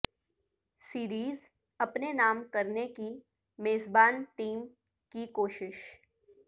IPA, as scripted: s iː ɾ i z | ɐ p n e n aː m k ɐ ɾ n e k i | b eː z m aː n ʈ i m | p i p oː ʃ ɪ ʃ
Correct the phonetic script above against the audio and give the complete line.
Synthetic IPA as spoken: s iː ɾ iː z | ɐ p n e n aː m k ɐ ɾ n e k i | m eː z b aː n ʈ iː m | k i k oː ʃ ɪ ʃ